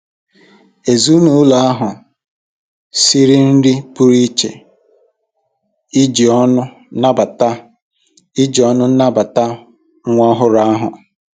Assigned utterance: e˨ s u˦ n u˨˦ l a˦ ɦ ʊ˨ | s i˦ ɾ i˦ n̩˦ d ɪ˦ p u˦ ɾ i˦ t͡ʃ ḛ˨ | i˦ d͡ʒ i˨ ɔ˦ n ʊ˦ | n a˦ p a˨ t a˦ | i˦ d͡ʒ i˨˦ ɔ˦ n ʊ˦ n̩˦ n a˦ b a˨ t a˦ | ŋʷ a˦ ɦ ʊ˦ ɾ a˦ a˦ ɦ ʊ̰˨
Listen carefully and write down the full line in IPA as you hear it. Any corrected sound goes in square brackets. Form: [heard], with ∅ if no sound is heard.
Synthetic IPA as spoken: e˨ [z] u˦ n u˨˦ l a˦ ɦ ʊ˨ | s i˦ ɾ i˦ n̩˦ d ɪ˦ p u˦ ɾ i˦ t͡ʃ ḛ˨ | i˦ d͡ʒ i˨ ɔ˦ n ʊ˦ | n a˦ [b] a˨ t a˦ | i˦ d͡ʒ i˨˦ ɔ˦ n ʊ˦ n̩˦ n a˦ b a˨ t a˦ | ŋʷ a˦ ɦ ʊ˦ ɾ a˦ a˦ ɦ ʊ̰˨